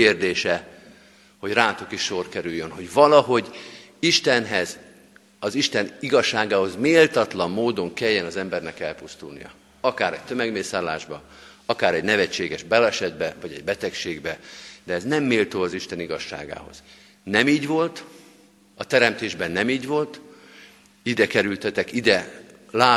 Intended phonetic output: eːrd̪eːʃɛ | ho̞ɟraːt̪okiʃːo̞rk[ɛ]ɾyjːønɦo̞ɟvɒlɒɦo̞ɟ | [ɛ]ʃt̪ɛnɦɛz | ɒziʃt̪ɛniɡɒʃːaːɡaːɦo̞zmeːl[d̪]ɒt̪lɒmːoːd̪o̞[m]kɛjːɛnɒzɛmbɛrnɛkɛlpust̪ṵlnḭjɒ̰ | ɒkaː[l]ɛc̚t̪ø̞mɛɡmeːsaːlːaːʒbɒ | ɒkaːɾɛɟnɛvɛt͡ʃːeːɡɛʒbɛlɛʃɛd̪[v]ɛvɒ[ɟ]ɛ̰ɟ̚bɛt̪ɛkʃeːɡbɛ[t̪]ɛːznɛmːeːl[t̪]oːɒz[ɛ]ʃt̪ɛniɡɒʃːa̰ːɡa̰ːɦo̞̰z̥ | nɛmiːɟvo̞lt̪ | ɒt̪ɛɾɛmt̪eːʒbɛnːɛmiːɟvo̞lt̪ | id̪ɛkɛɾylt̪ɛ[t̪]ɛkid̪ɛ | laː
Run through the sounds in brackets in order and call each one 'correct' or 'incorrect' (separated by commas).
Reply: correct, incorrect, incorrect, incorrect, incorrect, incorrect, correct, incorrect, correct, incorrect, correct